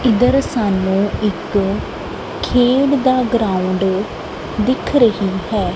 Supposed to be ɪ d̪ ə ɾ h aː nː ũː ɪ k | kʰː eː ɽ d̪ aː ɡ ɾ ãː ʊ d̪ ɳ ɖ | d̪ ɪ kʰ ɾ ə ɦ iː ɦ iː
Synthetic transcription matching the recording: ɪ d̪ ə ɾ s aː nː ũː ɪ k | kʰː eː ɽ d̪ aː ɡ ɾ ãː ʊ ɳ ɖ | d̪ ɪ kʰ ɾ ə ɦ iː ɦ ɛː